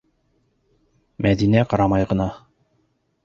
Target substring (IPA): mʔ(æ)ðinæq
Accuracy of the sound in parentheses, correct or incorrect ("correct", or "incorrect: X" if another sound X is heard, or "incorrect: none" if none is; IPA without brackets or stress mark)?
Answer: correct